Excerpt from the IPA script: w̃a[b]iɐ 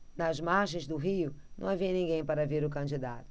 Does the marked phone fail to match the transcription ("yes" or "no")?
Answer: yes